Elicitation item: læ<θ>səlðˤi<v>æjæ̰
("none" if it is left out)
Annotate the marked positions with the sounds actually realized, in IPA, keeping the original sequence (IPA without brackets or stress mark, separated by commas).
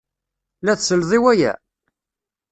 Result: θ, w